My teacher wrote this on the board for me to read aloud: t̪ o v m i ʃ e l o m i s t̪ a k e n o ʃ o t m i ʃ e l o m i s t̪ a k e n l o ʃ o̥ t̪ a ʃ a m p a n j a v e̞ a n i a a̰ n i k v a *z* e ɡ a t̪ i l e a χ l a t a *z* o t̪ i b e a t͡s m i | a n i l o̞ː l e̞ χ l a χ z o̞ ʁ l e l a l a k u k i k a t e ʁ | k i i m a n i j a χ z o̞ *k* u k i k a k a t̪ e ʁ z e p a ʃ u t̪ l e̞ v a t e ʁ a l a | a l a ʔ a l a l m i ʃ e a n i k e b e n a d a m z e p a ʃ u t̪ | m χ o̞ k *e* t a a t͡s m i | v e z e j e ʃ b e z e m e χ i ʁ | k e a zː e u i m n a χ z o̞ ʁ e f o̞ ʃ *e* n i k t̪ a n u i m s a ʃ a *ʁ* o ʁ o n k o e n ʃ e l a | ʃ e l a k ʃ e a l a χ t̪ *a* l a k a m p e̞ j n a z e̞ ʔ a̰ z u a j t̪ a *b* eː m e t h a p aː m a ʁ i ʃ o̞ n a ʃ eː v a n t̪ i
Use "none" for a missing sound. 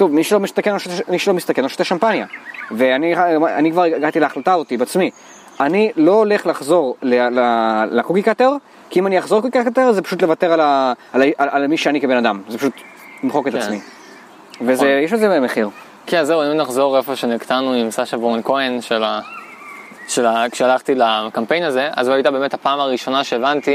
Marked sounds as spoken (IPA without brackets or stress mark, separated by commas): ʁ, z, k, e, e, v, i, b